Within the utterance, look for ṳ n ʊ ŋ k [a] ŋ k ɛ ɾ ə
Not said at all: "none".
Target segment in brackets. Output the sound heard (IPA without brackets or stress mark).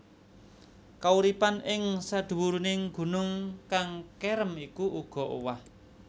a